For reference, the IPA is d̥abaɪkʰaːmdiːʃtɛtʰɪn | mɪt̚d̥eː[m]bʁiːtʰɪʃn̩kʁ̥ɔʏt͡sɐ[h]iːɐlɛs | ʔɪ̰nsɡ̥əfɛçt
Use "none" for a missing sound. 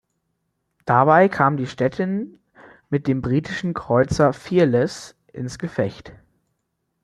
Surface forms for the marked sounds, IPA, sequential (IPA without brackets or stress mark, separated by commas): m, f